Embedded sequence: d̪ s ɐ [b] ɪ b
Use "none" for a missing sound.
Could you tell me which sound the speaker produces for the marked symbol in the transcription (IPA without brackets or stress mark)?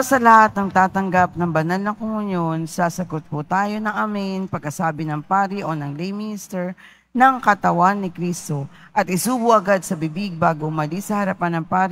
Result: b